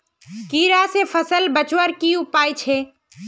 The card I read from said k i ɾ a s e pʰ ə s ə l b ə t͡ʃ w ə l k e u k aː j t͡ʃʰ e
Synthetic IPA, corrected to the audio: k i ɾ a s e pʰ ə s ə l b ə t͡ʃ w ə ɾ k i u p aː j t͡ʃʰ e